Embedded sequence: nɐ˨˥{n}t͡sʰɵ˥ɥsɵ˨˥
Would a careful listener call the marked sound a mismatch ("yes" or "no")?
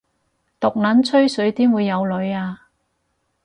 no